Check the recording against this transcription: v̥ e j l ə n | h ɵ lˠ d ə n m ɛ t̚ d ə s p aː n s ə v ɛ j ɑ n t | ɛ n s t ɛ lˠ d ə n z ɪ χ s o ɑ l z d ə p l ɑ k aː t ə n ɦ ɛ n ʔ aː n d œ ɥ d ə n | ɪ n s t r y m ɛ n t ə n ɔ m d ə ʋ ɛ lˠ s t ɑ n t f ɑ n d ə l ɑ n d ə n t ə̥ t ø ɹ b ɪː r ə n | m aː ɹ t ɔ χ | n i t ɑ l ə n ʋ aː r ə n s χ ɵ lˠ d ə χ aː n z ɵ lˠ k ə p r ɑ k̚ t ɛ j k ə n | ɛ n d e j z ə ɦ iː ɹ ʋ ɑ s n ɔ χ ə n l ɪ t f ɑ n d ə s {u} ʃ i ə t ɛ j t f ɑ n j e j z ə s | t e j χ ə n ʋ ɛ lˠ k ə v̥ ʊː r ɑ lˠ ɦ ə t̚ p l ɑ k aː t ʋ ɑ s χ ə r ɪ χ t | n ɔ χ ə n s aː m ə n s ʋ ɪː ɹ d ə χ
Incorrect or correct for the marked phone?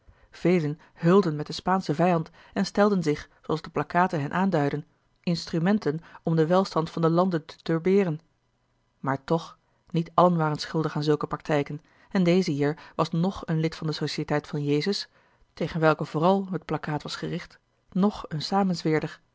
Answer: incorrect: o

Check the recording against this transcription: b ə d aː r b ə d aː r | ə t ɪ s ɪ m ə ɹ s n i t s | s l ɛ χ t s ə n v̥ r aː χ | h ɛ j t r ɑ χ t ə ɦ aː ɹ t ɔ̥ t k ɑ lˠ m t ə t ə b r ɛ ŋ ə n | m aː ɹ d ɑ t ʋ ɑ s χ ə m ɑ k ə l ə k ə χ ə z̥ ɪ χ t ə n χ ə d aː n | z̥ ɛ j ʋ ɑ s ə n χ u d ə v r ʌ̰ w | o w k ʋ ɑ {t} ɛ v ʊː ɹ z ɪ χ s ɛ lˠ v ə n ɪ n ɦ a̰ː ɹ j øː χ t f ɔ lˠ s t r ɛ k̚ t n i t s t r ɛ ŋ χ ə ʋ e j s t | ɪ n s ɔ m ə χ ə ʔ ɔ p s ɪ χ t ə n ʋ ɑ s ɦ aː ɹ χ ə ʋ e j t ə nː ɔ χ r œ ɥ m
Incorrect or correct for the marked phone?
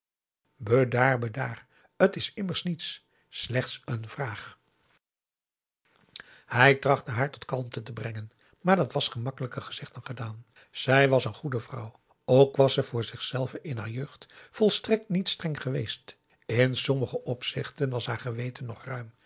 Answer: incorrect: s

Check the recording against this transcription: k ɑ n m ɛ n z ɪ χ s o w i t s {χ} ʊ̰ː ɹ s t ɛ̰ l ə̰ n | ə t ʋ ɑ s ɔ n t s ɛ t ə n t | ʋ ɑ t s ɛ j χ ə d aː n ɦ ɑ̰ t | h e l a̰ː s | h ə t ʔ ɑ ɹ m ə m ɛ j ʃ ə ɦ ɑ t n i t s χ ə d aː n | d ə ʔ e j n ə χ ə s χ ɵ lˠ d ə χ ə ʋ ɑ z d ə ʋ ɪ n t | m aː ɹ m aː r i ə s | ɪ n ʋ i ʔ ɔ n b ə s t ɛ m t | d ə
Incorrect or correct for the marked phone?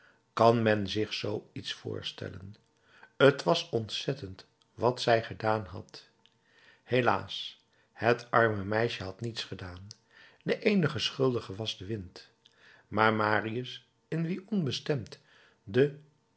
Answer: incorrect: f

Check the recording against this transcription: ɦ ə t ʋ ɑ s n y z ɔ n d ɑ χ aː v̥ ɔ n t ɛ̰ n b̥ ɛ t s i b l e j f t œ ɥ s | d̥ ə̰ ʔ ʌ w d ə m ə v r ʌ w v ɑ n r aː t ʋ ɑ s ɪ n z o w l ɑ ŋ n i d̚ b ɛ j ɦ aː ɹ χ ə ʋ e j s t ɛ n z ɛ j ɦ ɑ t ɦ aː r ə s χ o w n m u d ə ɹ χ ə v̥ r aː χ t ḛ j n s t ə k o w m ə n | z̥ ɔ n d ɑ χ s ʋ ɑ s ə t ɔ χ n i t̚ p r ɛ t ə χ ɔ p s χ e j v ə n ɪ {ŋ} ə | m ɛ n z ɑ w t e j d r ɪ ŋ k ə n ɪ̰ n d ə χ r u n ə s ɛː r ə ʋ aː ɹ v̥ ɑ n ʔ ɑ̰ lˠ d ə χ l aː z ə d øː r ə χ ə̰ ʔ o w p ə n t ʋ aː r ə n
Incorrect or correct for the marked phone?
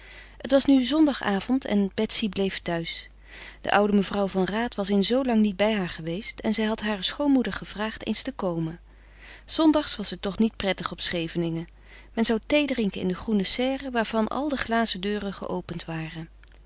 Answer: correct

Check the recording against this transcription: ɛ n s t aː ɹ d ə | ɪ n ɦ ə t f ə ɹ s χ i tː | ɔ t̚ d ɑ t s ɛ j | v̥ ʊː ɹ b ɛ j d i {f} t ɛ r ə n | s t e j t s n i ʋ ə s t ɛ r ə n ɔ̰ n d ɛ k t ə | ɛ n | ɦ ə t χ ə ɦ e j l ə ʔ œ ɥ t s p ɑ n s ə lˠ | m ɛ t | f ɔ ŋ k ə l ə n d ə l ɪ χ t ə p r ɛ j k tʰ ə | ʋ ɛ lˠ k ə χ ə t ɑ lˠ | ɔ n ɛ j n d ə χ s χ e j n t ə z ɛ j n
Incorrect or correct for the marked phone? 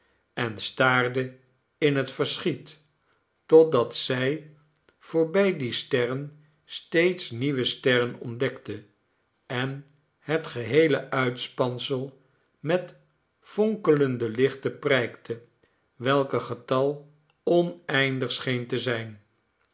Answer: incorrect: s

